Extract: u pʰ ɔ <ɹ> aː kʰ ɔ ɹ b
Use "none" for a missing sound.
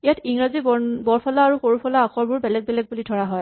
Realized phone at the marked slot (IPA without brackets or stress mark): l